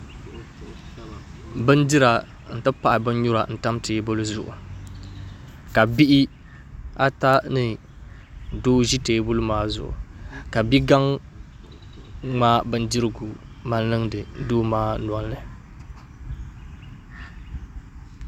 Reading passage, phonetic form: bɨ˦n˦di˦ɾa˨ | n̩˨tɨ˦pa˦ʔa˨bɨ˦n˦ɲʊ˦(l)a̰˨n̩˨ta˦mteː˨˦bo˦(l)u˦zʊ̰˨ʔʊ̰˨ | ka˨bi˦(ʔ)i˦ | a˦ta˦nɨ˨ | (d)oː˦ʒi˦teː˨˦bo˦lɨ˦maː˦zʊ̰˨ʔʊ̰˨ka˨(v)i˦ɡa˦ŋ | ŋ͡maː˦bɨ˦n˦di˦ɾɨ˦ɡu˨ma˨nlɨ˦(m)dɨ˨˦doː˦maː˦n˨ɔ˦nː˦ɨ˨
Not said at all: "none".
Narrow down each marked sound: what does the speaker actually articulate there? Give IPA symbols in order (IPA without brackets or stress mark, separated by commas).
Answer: ɾ, l, ʔ, d, b, ŋ